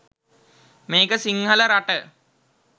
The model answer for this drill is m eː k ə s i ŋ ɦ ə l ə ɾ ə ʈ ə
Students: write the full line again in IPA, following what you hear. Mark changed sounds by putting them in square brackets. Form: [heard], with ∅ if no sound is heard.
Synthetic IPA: m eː k ə s i ŋ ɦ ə l ə ɾ [a] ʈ ə